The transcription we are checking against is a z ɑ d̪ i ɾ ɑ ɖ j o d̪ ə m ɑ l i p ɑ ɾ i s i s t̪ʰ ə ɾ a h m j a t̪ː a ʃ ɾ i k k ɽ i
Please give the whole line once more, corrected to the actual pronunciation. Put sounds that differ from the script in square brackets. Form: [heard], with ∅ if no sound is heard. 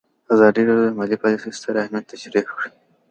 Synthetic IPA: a z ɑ d̪ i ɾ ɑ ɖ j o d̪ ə m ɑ l i p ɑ [l] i s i s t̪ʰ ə ɾ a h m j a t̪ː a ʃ ɾ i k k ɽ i